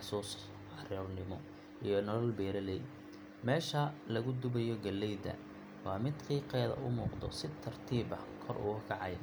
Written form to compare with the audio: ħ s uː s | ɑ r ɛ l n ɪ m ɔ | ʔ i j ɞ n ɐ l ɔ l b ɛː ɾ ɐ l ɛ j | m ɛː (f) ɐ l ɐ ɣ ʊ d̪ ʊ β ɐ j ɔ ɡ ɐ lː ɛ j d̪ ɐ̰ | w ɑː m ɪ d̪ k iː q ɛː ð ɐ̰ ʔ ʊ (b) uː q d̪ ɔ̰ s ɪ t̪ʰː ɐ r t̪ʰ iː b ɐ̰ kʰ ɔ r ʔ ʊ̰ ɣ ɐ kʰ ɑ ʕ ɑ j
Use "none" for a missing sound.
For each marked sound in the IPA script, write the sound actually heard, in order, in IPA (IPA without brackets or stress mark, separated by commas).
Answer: ʃ, m